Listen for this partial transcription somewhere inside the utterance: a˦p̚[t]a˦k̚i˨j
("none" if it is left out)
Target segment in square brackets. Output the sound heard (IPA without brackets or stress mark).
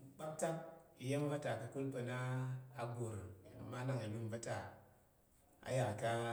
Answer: t